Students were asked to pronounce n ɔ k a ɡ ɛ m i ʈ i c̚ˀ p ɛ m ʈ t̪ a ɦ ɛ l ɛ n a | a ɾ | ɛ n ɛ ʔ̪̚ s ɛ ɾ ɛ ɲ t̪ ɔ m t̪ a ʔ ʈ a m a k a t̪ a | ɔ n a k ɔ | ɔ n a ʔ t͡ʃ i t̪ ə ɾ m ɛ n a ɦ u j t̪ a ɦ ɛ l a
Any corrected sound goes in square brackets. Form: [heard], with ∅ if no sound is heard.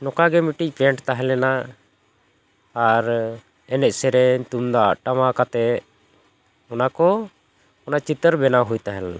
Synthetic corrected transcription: n ɔ k a ɡ ɛ m i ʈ i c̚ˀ p ɛ [ɳ] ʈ t̪ a ɦ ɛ l ɛ n a | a ɾ | ɛ n ɛ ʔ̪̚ s ɛ ɾ ɛ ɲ t̪ [u] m [d̪] a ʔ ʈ a m a k a t̪ [ɛ] | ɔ n a k ɔ | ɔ n a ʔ t͡ʃ i t̪ ə ɾ [b] ɛ n a ɦ u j t̪ a ɦ ɛ l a